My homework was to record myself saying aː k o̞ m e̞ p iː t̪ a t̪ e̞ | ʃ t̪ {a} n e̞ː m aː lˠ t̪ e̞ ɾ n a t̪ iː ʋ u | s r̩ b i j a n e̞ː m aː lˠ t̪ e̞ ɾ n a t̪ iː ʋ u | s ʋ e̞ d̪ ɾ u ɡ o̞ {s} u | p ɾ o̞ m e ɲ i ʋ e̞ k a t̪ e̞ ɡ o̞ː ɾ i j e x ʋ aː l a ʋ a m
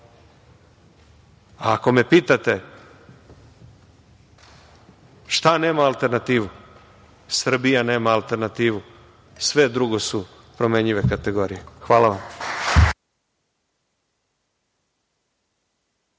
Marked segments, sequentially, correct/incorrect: correct, correct

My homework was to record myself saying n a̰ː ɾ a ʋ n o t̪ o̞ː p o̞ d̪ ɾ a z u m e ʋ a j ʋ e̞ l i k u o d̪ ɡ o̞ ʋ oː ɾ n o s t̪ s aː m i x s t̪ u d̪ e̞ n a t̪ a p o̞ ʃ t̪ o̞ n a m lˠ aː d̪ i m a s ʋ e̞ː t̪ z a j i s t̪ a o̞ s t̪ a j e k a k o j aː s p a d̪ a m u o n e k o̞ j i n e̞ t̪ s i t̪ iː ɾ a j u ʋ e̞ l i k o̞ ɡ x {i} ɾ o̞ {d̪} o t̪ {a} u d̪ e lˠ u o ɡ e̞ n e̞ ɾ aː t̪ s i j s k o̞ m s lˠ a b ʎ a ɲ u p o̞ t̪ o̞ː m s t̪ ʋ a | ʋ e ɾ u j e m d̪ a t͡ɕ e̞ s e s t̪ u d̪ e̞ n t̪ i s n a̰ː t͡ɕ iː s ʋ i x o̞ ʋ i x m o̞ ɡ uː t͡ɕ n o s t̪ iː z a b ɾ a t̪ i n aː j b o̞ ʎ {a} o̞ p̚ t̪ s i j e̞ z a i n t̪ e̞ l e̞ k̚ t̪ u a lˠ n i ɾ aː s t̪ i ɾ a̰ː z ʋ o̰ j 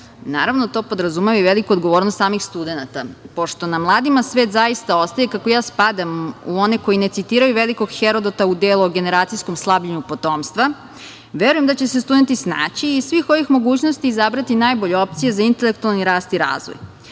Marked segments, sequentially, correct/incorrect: incorrect, correct, correct, incorrect

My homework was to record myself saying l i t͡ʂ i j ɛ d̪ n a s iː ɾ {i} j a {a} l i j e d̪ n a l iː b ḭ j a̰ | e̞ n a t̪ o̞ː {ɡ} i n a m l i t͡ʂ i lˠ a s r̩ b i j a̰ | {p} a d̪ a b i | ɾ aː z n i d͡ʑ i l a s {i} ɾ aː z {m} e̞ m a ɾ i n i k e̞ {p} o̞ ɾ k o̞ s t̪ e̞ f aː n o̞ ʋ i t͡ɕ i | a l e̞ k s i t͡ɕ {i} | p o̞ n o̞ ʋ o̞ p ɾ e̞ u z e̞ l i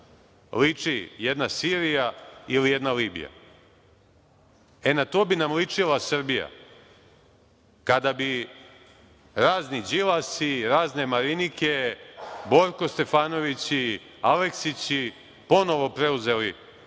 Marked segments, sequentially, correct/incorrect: correct, incorrect, incorrect, incorrect, correct, incorrect, incorrect, correct

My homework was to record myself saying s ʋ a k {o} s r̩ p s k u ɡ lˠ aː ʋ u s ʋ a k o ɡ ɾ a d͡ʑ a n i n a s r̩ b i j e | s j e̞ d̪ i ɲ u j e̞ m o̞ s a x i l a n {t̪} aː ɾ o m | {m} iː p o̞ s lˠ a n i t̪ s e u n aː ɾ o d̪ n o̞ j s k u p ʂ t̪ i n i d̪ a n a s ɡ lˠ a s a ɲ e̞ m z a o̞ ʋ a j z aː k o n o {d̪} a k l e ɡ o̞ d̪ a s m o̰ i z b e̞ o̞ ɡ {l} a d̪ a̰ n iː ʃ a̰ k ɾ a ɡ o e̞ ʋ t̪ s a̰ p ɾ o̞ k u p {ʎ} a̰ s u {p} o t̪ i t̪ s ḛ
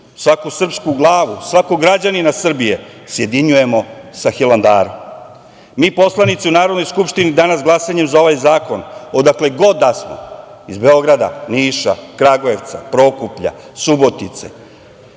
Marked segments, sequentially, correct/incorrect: incorrect, incorrect, correct, correct, incorrect, correct, incorrect

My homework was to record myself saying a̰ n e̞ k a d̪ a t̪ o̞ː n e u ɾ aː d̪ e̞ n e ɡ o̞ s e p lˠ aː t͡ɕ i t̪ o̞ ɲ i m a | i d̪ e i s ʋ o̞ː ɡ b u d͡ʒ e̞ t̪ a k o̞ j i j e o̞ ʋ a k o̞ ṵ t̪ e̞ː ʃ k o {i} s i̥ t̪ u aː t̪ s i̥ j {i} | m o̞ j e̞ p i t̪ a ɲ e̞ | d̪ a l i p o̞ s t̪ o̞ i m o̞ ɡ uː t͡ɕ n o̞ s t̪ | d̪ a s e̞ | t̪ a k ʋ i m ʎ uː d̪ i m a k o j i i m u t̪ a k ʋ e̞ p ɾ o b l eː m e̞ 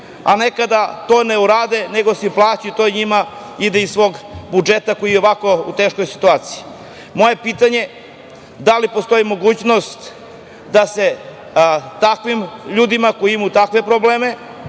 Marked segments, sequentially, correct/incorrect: incorrect, correct

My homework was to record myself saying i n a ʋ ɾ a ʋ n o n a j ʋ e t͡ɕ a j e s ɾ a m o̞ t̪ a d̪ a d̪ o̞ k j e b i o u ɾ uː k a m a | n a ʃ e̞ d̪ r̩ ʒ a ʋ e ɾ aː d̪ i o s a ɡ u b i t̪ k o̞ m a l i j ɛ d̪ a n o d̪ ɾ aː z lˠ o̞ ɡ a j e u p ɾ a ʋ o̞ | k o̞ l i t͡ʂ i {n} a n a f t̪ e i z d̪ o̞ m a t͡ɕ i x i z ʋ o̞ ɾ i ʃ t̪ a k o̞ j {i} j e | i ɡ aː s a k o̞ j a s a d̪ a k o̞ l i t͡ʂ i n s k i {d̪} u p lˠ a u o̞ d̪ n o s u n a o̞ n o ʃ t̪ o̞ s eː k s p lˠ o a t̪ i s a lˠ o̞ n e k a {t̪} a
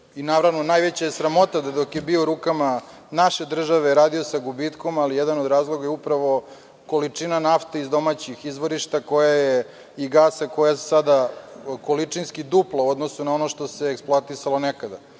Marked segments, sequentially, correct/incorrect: correct, incorrect, correct, incorrect

